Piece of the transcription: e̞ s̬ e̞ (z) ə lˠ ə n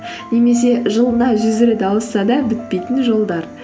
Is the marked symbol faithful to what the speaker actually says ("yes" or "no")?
no